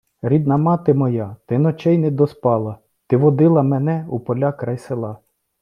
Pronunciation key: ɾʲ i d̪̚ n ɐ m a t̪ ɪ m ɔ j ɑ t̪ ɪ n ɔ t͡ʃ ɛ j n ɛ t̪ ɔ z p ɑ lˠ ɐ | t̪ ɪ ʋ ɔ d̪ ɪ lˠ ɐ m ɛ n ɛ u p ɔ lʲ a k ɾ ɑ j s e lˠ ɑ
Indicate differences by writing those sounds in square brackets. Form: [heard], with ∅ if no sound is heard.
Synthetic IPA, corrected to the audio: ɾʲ i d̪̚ n ɐ m [ɑ] t̪ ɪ m ɔ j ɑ t̪ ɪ n ɔ t͡ʃ ɛ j n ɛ [d̪] ɔ [s] p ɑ lˠ ɐ | t̪ ɪ ʋ ɔ d̪ ɪ lˠ ɐ m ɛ n ɛ u p ɔ lʲ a k ɾ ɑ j s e lˠ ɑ